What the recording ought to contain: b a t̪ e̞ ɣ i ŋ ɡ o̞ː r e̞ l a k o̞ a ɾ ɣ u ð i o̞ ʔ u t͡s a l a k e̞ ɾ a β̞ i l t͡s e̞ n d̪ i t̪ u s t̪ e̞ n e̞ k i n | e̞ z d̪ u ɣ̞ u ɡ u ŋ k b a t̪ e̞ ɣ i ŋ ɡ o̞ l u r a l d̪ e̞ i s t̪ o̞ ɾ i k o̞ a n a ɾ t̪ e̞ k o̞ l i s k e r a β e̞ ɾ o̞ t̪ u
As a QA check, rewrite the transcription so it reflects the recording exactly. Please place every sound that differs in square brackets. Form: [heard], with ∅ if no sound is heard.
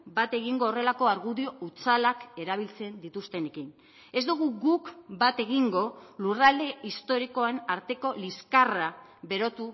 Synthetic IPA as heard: b a t̪ e̞ ɣ i ŋ ɡ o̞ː r e̞ l a k o̞ a ɾ ɣ u ð i o̞ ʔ u t͡s a l a k e̞ ɾ a β̞ i l t͡s e̞ n d̪ i t̪ u s t̪ e̞ n e̞ k i n | e̞ z d̪ u ɣ̞ u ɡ u [∅] k b a t̪ e̞ ɣ i ŋ ɡ o̞ l u r a l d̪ e̞ i s t̪ o̞ ɾ i k o̞ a n a ɾ t̪ e̞ k o̞ l i s k [a] r a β e̞ ɾ o̞ t̪ u